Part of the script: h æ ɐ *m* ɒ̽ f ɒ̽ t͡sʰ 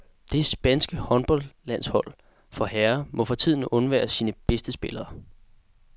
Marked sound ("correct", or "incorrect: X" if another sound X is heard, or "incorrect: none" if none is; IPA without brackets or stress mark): correct